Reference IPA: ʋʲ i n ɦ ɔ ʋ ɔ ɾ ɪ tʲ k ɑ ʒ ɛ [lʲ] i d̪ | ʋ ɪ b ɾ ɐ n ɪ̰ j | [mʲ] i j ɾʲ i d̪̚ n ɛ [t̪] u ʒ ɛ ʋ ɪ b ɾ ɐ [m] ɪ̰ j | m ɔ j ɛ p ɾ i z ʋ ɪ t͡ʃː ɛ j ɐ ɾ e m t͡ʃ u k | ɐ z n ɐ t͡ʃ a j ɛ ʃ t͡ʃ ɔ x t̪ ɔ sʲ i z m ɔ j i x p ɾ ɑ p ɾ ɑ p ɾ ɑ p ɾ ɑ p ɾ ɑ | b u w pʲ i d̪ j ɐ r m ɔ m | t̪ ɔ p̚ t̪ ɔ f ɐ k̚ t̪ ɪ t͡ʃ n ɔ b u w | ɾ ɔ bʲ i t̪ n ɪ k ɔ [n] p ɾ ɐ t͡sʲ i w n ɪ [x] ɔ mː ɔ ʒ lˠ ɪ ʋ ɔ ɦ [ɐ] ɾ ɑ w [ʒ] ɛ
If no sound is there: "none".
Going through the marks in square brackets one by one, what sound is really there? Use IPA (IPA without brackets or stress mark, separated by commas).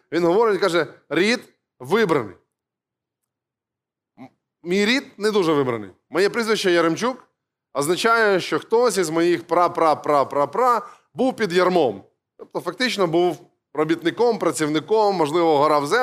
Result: ɾʲ, mʲ, d̪, n, m, k, ɐ, z